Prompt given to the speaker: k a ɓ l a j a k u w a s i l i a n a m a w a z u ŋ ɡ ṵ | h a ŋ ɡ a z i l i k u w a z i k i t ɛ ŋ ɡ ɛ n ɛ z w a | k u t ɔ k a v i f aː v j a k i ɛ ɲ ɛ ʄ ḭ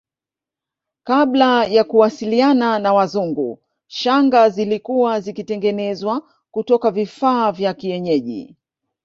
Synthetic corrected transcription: k a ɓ l a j a k u w a s i l i a n a n a w a z u ŋ ɡ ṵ | ʃ a ŋ ɡ a z i l i k u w a z i k i t ɛ ŋ ɡ ɛ n ɛ z w a | k u t ɔ k a v i f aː v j a k i ɛ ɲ ɛ ʄ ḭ